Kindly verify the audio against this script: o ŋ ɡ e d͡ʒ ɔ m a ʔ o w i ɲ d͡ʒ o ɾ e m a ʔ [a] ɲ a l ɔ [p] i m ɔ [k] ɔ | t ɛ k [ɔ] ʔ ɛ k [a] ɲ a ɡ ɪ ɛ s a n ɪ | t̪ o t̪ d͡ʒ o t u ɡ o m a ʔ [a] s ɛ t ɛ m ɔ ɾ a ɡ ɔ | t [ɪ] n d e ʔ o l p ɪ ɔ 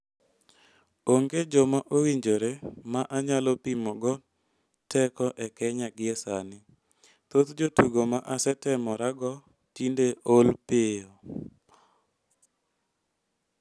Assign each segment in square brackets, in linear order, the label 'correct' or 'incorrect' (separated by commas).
correct, correct, incorrect, correct, incorrect, correct, incorrect